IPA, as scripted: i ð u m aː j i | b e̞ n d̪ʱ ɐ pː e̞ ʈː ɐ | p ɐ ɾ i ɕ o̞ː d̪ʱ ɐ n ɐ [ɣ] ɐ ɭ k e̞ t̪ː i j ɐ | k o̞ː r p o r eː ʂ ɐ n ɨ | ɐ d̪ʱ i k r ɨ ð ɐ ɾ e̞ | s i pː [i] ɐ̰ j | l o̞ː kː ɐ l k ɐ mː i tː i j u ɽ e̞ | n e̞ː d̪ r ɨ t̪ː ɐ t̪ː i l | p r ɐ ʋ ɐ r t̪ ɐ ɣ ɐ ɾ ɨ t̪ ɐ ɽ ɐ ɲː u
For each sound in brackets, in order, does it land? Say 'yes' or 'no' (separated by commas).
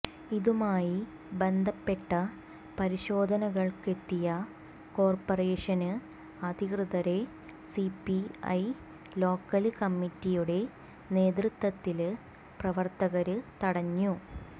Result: yes, yes